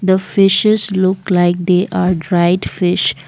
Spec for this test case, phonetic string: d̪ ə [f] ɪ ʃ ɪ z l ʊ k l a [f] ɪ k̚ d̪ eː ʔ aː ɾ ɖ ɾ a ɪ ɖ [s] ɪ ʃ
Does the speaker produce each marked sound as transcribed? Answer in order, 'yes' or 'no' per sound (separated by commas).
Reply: yes, no, no